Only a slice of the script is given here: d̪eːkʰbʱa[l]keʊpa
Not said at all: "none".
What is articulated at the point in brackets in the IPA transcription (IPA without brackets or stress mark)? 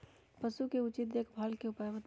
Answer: l